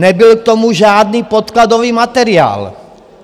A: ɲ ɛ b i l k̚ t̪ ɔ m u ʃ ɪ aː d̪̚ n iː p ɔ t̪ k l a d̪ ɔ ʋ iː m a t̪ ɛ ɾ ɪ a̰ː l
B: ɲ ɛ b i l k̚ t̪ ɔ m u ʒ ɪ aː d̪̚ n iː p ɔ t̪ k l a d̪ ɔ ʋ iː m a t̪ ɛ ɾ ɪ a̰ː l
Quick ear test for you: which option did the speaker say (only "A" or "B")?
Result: B